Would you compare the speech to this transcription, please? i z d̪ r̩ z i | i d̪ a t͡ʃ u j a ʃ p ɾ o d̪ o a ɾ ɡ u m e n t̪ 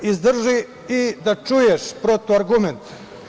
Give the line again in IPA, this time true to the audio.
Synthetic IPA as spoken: i z d̪ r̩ ʒ i | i d̪ a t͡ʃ u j e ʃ p ɾ o t̪ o a ɾ ɡ u m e n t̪